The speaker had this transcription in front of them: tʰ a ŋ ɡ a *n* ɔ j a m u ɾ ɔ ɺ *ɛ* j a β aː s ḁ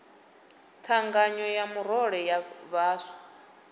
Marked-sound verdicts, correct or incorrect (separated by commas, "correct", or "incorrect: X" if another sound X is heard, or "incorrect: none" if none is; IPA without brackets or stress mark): incorrect: ɲ, correct